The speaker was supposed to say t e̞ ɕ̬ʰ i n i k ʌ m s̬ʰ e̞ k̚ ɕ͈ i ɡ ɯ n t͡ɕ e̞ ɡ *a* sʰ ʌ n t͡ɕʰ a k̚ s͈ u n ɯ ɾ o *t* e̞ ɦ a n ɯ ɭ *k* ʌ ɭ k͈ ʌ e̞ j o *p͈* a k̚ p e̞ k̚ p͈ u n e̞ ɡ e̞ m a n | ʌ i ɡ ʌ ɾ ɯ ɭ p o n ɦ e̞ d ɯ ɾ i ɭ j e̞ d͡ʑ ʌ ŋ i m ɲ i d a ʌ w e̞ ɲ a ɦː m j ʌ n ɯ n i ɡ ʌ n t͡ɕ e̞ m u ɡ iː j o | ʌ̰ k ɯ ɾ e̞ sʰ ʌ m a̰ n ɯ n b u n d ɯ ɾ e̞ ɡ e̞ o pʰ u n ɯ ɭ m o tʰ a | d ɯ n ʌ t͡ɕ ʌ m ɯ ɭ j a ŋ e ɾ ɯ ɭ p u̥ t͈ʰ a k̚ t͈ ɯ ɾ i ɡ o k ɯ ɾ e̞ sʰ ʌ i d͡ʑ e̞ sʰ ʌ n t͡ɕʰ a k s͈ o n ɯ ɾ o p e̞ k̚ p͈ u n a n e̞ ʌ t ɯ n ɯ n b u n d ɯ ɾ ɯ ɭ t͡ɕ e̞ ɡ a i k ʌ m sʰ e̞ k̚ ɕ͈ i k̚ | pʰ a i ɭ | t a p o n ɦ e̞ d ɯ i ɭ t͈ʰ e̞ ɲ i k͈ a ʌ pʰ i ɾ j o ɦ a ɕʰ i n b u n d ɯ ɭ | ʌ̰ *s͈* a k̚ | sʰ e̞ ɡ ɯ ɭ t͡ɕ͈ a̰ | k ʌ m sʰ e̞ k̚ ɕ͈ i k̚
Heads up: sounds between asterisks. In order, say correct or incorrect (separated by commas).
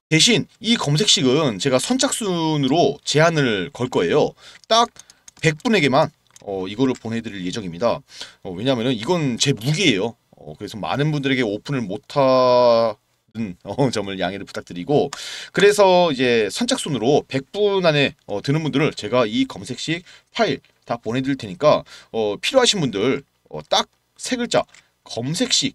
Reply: correct, incorrect, correct, incorrect, incorrect